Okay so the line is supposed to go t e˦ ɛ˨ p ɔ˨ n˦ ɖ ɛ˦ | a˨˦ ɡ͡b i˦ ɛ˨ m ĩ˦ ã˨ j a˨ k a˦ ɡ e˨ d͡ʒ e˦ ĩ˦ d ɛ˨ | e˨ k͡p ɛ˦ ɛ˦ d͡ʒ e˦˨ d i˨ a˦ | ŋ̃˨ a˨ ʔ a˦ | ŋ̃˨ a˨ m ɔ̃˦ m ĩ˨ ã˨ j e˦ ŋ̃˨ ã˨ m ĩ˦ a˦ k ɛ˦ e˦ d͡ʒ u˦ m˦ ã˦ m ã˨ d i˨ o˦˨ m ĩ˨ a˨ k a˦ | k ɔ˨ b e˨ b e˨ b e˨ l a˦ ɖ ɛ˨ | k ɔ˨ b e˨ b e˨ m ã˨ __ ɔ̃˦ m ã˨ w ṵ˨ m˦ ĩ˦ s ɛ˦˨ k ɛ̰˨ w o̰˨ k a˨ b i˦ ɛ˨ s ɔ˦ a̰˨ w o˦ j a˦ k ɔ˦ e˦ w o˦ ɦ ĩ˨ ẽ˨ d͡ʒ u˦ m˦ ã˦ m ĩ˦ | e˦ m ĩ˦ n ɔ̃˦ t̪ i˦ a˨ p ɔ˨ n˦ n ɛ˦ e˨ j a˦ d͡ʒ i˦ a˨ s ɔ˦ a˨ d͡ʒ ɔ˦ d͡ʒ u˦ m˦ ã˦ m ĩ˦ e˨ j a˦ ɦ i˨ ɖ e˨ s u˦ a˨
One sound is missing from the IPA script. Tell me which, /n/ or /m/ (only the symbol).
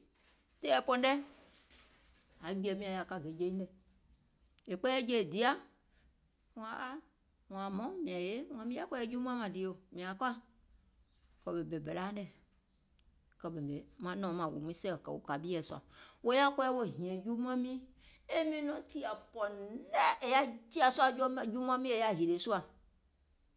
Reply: n